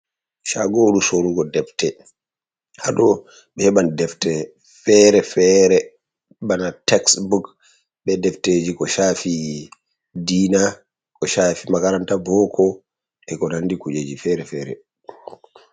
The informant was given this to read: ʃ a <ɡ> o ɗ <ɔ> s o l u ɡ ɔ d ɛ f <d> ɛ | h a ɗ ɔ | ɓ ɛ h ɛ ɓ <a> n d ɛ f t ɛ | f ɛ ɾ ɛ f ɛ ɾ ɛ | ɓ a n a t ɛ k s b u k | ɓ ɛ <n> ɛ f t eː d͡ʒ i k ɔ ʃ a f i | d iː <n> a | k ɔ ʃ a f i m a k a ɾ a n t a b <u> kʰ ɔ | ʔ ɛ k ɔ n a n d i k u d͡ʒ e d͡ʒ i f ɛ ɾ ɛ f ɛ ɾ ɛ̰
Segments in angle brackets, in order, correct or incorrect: correct, incorrect: u, incorrect: t, correct, incorrect: d, correct, incorrect: ɔ

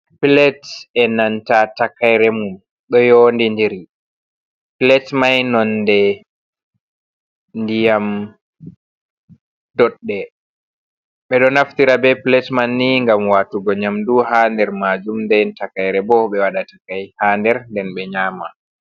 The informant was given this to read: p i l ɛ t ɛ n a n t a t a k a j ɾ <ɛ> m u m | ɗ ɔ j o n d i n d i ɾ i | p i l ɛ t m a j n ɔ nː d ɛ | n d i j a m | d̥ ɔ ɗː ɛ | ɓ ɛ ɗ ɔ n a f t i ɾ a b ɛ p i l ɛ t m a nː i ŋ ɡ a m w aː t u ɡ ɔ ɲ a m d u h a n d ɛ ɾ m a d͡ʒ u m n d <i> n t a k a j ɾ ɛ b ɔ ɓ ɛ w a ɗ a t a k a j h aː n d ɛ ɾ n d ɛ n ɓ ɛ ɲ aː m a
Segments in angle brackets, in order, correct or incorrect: correct, incorrect: ɛ

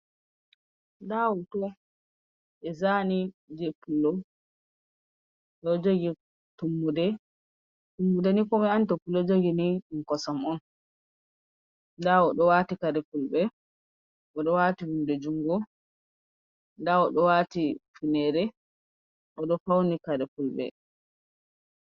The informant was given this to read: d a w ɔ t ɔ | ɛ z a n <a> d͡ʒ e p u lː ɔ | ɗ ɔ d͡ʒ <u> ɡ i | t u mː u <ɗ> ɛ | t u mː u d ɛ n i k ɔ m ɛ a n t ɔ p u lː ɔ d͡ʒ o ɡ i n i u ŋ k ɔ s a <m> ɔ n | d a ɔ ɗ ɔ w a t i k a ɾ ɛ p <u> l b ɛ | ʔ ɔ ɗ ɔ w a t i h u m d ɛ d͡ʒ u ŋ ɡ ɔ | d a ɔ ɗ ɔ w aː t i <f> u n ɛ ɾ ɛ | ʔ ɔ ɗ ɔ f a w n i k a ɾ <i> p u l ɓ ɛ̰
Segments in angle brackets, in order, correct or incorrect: incorrect: i, incorrect: o, incorrect: d, correct, correct, correct, incorrect: ɛ

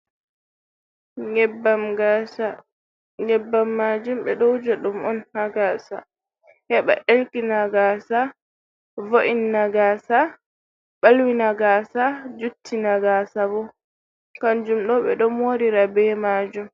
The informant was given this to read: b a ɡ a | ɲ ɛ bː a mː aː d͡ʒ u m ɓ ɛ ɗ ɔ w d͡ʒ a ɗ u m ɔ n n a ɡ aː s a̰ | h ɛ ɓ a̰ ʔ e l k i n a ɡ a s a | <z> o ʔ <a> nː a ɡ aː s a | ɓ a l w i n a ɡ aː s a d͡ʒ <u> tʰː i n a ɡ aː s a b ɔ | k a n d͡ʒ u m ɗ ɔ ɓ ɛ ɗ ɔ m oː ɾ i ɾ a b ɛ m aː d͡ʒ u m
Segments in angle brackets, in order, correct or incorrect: incorrect: v, incorrect: i, correct

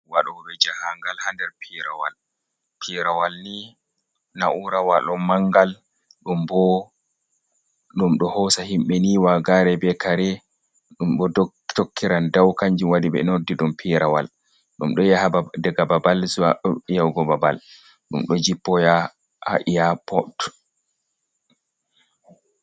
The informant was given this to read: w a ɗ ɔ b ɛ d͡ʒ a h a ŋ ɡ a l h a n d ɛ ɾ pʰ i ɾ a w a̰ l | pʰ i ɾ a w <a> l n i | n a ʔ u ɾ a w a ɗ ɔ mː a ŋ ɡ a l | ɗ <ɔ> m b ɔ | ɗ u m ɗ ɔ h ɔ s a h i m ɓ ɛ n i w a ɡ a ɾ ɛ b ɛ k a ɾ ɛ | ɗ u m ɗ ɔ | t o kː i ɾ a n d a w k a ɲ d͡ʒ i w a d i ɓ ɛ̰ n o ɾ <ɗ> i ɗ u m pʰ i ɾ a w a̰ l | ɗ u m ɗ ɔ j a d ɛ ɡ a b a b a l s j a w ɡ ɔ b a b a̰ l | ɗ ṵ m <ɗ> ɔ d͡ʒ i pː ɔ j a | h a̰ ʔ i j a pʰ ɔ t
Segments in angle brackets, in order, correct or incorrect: correct, incorrect: u, incorrect: d, correct

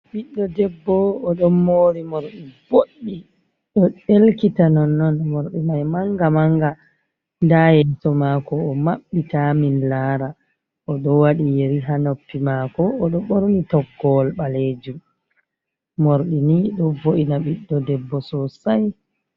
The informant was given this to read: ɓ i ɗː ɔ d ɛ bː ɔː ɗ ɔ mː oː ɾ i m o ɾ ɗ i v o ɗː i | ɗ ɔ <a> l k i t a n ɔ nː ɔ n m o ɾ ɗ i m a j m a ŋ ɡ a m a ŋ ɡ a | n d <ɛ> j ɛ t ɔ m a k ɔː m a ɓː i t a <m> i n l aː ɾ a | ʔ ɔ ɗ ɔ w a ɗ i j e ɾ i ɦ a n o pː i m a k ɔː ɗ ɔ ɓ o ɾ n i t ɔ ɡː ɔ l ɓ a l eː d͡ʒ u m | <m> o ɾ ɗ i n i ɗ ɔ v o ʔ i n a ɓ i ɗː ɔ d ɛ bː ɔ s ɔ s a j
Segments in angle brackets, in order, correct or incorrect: incorrect: e, incorrect: a, correct, correct

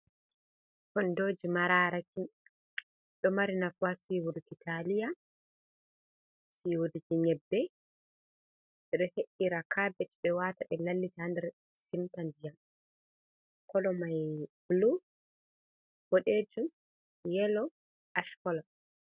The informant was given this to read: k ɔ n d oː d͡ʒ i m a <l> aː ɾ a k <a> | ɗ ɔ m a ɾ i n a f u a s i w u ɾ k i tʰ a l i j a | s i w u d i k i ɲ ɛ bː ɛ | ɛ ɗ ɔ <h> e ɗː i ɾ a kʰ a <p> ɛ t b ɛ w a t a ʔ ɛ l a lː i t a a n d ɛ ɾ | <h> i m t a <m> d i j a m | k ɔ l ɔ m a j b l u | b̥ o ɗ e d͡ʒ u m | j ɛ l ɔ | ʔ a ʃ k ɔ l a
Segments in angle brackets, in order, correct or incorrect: incorrect: ɾ, incorrect: i, correct, incorrect: b, incorrect: s, incorrect: n

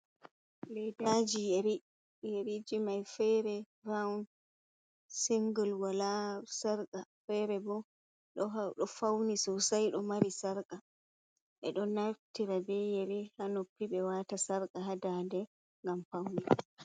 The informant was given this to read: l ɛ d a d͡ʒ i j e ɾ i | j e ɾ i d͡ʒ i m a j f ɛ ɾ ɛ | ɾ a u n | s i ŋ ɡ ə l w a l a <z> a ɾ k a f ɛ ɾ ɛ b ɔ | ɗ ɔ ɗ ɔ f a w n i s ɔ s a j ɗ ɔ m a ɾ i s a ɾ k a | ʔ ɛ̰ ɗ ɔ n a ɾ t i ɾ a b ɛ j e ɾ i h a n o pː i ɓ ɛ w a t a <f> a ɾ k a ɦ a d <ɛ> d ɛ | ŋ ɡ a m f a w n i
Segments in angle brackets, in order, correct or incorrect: incorrect: s, incorrect: s, incorrect: a

